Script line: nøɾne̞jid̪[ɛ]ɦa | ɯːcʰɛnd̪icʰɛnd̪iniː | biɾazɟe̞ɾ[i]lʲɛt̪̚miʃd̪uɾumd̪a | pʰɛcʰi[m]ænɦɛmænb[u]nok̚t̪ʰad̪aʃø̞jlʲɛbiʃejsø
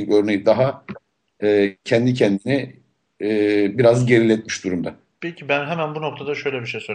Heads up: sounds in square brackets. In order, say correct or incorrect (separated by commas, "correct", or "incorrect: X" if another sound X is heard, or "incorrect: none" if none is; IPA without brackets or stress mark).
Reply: incorrect: a, correct, incorrect: b, correct